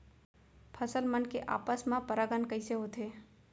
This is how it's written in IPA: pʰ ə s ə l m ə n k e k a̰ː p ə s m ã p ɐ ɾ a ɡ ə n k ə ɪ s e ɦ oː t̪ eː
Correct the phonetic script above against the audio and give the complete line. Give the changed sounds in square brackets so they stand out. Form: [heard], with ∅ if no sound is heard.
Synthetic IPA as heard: pʰ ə s ə l m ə n k e [ʔ] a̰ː p ə s m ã p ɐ ɾ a ɡ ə n k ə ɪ s e ɦ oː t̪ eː